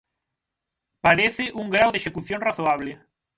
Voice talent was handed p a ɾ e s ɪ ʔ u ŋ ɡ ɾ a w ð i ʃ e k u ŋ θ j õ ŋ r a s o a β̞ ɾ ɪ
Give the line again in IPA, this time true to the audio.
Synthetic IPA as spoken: p a ɾ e θ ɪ ʔ u ŋ ɡ ɾ a w ð e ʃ e k u θ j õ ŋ r a θ o a β̞ l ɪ